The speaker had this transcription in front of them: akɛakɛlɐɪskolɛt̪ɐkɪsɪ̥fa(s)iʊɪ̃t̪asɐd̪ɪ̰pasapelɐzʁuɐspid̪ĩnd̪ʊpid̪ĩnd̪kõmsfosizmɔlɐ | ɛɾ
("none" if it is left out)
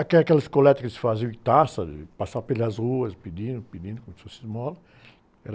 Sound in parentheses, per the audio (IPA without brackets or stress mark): z